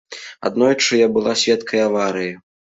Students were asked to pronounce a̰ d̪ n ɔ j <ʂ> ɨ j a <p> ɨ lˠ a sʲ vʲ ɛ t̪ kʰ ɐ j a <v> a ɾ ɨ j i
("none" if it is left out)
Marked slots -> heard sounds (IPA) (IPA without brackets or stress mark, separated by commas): t͡ʂ, b, v